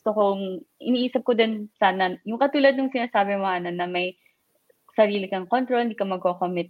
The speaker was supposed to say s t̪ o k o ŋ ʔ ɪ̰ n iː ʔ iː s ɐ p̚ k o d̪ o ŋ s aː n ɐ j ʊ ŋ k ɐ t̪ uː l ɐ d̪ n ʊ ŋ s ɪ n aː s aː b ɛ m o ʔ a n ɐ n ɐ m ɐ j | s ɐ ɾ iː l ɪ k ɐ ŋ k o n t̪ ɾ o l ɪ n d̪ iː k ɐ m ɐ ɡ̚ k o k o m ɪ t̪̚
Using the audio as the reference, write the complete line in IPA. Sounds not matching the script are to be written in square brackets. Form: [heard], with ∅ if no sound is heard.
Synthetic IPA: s t̪ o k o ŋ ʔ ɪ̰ n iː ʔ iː s ɐ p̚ k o d̪ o [n] s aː n ɐ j ʊ ŋ k ɐ t̪ uː l ɐ d̪ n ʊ ŋ s ɪ n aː s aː b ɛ m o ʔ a n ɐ n ɐ m ɐ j | s ɐ ɾ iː l ɪ k ɐ ŋ k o n t̪ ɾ o l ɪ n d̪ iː k ɐ m ɐ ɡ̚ k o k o m ɪ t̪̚